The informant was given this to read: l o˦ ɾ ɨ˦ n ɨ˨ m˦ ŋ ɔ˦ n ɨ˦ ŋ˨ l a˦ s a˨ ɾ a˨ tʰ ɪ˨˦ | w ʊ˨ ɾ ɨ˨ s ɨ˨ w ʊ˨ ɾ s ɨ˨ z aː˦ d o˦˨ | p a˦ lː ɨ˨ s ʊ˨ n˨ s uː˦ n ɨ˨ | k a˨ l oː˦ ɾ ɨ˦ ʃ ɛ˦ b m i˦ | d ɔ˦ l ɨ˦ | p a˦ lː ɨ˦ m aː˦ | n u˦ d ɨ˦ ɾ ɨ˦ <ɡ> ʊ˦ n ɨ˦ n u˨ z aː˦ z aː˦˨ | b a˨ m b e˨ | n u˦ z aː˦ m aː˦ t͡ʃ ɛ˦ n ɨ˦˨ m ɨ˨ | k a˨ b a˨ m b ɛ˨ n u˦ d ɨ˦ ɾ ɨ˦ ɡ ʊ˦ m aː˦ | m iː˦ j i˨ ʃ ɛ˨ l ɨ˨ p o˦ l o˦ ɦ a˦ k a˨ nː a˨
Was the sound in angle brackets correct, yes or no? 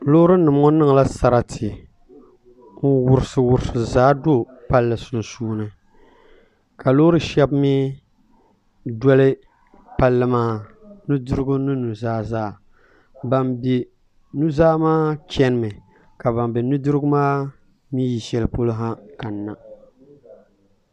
yes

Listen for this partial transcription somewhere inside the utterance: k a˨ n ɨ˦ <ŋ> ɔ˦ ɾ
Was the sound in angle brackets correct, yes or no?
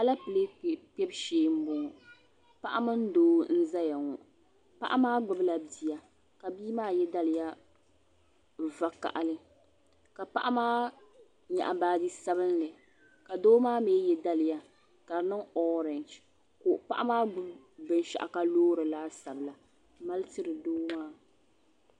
yes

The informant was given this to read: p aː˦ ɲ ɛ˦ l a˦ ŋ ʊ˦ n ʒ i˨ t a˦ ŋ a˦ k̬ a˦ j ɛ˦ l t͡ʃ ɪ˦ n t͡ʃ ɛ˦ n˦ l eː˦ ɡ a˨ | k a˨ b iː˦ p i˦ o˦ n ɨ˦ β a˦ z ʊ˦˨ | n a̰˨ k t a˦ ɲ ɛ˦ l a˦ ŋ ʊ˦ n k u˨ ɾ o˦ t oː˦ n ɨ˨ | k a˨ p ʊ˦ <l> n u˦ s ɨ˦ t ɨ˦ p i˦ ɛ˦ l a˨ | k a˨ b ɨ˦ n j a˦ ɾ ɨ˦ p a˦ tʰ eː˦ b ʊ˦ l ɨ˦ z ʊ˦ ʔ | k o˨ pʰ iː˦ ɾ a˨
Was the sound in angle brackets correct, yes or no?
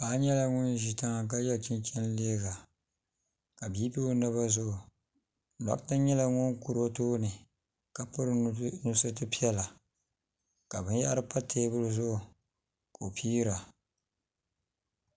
no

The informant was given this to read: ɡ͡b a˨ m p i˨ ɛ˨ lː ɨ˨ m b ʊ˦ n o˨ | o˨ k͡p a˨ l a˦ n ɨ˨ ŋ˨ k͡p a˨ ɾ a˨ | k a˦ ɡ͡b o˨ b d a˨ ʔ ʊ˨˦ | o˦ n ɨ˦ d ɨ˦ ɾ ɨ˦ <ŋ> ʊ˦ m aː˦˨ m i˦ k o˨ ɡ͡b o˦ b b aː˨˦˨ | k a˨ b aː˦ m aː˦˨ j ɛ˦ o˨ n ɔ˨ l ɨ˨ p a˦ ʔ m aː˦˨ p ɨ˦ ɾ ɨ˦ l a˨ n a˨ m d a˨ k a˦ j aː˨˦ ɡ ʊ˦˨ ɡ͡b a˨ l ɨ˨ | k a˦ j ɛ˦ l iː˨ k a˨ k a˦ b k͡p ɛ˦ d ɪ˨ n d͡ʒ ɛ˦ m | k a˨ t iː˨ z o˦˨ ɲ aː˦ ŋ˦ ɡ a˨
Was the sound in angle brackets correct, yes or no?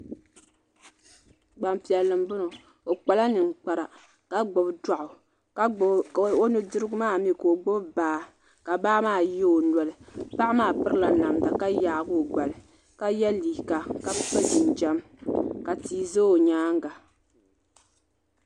no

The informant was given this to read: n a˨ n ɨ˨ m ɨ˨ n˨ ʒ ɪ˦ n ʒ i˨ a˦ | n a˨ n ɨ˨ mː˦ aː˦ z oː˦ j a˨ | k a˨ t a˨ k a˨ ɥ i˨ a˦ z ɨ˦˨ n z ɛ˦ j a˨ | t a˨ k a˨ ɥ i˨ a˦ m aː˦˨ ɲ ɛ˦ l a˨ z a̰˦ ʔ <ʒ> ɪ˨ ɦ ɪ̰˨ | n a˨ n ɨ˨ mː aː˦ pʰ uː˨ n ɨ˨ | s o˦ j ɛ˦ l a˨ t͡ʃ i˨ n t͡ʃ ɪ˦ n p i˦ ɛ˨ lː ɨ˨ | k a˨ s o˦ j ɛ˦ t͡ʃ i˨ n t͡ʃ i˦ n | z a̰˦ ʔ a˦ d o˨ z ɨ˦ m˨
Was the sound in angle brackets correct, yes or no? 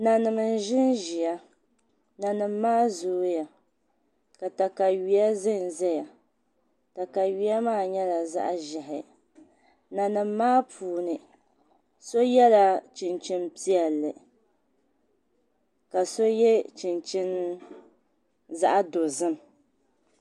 yes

